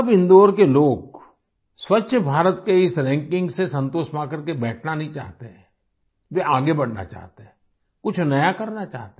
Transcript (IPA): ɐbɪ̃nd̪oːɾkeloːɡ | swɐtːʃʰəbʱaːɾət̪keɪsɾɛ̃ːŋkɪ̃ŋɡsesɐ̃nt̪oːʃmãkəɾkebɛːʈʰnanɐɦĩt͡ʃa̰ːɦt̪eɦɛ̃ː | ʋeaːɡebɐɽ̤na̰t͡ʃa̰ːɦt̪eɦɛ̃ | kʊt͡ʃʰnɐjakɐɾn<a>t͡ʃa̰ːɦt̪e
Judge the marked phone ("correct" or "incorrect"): correct